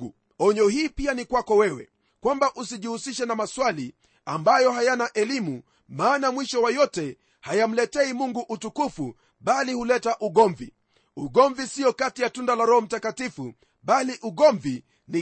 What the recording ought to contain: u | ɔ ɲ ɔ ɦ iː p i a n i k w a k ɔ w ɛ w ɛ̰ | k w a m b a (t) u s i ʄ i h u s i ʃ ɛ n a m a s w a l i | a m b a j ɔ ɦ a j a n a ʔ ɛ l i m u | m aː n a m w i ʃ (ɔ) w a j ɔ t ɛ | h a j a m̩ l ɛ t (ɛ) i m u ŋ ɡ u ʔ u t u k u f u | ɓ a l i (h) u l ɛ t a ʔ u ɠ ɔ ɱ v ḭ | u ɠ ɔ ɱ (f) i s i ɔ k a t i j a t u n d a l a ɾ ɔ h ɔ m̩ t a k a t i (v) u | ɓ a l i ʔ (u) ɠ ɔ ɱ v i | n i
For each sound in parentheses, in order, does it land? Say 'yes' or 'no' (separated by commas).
no, yes, yes, yes, no, no, yes